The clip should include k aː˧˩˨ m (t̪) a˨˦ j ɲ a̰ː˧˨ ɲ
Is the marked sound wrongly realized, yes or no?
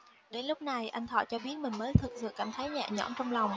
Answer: yes